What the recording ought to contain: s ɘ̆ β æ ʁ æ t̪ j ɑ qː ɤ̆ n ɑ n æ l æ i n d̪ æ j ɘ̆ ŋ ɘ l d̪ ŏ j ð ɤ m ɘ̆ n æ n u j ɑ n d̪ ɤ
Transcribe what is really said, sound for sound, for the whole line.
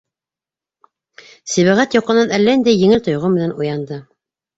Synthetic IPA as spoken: s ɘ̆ β æ ʁ æ t̪ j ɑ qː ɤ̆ n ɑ n æ lː æ i n d̪ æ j ɘ̆ ŋ ɘ l t̪ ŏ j ʁ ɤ m ɘ̆ n æ n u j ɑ n d̪ ɤ